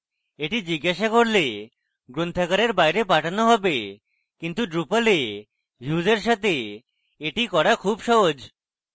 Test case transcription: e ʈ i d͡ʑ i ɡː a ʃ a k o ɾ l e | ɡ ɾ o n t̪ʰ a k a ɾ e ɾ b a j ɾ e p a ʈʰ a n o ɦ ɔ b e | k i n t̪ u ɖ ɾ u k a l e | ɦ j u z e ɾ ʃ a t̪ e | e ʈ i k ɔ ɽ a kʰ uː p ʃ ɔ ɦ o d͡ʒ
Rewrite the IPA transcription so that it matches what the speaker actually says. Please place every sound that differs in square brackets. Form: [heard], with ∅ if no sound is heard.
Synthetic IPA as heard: e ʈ i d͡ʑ i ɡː a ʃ a k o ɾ l e | ɡ ɾ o n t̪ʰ a k a ɾ e ɾ b a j ɾ e p a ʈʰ a n o ɦ ɔ b e | k i n t̪ u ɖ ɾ u [p] a l e | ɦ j u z e ɾ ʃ a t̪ e | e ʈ i k ɔ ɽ a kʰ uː [b] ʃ ɔ ɦ o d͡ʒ